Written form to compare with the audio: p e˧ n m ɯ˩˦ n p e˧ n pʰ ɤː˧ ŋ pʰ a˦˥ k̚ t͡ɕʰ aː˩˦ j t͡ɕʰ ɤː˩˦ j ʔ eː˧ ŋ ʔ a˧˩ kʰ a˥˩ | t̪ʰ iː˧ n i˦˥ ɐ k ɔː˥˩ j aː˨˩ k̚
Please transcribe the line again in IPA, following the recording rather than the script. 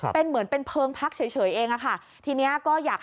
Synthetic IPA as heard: p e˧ n m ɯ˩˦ n p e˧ n pʰ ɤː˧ ŋ pʰ a˦˥ k̚ t͡ɕʰ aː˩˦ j t͡ɕʰ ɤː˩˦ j ʔ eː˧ ŋ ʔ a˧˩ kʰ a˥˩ | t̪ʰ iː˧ n i˦˥ ɐ k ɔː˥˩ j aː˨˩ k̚